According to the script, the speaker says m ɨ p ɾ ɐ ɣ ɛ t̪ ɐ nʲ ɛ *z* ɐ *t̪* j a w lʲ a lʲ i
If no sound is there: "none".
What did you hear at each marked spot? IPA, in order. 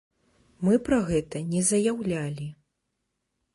z, none

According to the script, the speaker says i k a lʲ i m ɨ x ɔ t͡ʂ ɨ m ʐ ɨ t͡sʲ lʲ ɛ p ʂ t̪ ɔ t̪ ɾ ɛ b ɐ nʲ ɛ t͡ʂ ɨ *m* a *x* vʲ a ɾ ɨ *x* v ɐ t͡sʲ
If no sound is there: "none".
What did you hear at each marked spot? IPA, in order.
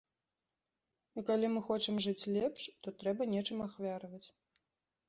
m, x, none

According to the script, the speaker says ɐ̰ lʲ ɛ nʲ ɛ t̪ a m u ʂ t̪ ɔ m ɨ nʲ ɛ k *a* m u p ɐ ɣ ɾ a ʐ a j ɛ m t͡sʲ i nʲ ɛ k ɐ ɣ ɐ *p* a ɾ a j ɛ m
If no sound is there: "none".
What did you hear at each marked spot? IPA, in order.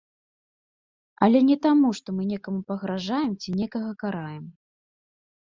ɐ, k

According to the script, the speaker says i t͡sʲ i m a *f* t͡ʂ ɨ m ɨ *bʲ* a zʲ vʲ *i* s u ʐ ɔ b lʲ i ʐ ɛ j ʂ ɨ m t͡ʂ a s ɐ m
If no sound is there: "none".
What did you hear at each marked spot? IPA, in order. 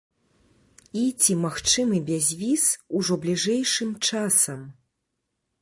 x, bʲ, i

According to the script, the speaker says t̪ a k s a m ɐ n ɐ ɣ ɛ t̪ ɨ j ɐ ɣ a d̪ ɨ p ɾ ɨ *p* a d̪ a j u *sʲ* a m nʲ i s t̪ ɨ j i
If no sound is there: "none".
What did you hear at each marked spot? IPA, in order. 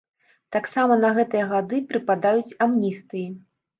p, t͡sʲ

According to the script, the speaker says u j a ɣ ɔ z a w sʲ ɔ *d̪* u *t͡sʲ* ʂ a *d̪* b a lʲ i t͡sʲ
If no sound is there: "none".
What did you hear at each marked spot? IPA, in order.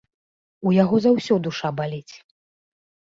d̪, none, none

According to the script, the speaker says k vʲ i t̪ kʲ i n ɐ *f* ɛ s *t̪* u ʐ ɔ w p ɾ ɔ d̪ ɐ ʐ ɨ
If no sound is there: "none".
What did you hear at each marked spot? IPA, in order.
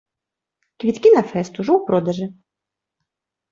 f, t̪

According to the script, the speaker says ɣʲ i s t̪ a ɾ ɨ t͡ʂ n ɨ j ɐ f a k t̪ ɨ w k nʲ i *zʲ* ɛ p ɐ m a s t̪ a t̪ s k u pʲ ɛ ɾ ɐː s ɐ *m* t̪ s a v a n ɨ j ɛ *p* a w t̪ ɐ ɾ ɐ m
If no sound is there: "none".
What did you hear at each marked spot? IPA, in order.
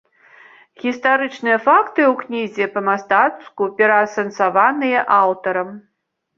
zʲ, n, ʔ

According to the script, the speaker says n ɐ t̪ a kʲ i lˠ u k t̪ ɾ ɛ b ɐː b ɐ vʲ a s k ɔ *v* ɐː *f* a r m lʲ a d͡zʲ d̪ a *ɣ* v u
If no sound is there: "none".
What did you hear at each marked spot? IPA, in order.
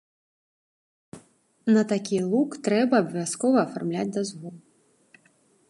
v, f, z

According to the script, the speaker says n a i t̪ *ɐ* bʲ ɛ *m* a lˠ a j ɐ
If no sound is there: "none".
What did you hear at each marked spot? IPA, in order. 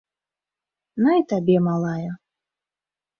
a, m

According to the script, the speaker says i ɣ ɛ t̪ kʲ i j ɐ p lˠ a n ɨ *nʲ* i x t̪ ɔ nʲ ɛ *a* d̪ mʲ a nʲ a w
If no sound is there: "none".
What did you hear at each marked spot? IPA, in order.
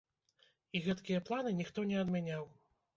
nʲ, ɐ

